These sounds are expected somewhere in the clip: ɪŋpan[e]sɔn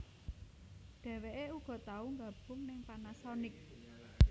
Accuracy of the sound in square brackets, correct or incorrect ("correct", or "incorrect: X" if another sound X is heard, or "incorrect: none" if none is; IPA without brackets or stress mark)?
incorrect: a